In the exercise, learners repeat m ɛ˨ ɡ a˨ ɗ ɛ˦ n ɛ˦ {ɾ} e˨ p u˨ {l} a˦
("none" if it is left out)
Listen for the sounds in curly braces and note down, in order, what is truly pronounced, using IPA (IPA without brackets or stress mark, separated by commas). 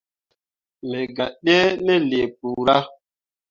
l, ɾ